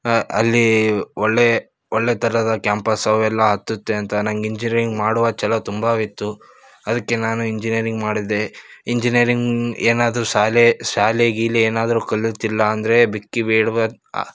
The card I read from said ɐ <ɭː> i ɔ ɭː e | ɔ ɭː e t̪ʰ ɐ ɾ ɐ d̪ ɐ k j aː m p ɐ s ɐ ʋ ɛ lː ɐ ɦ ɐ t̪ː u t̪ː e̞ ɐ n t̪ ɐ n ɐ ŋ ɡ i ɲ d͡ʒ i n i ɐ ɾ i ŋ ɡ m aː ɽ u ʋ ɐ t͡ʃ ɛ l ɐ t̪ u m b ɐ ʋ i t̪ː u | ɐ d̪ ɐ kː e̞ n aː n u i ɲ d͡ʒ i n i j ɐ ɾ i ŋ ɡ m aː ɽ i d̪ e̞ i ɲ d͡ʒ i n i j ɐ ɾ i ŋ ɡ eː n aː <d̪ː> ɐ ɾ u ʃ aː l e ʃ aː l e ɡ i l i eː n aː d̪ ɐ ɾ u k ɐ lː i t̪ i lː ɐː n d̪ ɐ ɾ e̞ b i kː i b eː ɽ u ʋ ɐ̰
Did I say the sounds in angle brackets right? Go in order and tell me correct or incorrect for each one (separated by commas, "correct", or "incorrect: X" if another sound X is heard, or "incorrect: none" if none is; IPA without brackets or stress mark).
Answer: incorrect: lː, incorrect: d̪